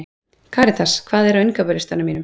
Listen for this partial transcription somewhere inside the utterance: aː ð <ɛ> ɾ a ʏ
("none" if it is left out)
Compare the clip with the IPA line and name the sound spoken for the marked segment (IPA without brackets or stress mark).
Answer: ɛ